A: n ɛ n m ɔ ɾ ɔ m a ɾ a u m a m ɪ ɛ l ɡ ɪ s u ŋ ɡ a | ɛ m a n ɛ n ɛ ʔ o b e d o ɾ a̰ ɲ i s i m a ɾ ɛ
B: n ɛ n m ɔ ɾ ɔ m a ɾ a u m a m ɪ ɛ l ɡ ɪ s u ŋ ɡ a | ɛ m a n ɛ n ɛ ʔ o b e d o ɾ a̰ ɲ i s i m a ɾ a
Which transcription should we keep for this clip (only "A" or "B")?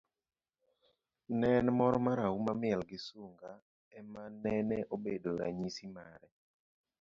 A